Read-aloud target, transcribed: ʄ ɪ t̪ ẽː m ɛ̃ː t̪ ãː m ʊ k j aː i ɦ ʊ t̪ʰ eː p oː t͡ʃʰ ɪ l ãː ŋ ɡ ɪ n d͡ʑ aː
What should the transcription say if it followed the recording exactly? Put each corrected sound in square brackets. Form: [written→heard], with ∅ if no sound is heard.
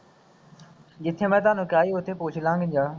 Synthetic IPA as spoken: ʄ ɪ [t̪→t̪ʰ] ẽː m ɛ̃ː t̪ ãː [m→n] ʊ k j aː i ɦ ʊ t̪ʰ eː p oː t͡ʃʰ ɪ l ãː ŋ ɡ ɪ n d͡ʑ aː